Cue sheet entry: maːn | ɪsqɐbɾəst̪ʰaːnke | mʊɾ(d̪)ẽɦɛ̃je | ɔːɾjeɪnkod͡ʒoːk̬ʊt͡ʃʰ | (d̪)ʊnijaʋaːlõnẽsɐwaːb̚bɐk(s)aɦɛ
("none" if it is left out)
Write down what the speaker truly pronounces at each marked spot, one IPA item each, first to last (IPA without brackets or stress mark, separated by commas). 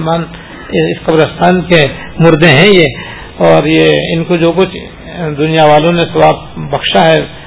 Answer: d̪, d̪, ʃ